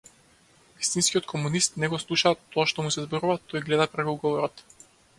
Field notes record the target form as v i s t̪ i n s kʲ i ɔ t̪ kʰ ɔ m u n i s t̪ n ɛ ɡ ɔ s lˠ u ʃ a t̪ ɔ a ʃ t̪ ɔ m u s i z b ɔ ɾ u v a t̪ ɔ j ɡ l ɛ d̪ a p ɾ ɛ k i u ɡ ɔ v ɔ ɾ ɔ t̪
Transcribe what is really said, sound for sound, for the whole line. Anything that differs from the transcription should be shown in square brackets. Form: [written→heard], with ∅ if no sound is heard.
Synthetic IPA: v i s t̪ i n s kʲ i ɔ t̪ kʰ ɔ m u n i s t̪ n ɛ ɡ ɔ s lˠ u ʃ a t̪ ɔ a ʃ t̪ ɔ m u s [i→ɛ] z b ɔ ɾ u v a t̪ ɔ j ɡ l ɛ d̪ a p ɾ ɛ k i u ɡ ɔ v ɔ ɾ ɔ t̪